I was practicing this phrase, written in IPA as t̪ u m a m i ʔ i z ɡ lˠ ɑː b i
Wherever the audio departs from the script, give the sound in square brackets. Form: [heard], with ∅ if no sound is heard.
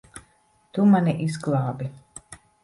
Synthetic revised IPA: t̪ u m a [n] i ʔ i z ɡ lˠ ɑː b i